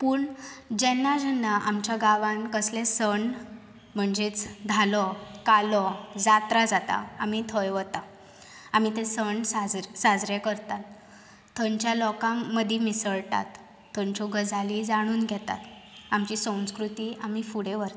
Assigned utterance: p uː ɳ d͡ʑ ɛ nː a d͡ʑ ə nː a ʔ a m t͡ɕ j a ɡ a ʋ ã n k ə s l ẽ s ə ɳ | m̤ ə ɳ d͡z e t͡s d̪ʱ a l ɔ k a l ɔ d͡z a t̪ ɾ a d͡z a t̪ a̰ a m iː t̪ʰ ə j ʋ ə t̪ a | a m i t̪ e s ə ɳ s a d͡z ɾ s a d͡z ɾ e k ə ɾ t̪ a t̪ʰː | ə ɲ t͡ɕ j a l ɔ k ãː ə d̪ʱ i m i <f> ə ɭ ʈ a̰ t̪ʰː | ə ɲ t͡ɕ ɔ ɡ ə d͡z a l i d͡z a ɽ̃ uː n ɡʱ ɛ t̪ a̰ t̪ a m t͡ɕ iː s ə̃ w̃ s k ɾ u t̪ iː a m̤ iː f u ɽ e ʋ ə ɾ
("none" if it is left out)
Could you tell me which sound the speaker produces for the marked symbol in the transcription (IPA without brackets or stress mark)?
s